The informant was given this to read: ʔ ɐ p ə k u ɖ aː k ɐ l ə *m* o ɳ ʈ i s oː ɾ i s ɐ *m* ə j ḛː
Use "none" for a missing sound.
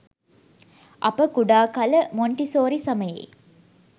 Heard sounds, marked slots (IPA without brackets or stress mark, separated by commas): m, m